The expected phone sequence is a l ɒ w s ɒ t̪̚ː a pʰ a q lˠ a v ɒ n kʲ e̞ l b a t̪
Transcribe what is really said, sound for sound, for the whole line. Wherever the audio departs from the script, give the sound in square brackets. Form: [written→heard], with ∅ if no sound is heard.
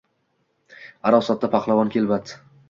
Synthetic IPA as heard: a [l→ɾ] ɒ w s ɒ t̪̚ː a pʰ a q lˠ a v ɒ n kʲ e̞ l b a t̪